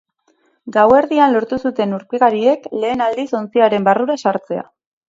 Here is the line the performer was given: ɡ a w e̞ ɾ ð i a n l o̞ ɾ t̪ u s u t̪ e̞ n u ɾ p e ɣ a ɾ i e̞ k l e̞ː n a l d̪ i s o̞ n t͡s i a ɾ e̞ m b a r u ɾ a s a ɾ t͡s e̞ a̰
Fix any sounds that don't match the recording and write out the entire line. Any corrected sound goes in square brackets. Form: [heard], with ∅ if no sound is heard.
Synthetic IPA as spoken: ɡ a w e̞ ɾ ð i a n l o̞ ɾ t̪ u s u t̪ e̞ n u ɾ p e ɣ a ɾ i e̞ k l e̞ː n a l d̪ i s o̞ n t͡s i a ɾ e̞ m b a r u ɾ a s a ɾ t͡s e̞ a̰